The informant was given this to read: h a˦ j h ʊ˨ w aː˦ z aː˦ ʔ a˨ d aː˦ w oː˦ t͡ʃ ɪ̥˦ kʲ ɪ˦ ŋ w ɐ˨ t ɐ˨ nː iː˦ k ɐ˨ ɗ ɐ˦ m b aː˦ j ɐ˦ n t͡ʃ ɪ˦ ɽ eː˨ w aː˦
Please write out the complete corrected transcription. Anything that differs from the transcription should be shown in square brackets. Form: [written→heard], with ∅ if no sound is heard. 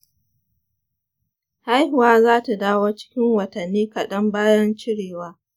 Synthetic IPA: h a˦ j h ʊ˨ w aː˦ z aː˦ [ʔ→t] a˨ d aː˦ w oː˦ t͡ʃ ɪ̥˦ kʲ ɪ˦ ŋ w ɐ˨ t ɐ˨ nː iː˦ k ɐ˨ ɗ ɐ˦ m b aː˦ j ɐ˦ n t͡ʃ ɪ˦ ɽ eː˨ w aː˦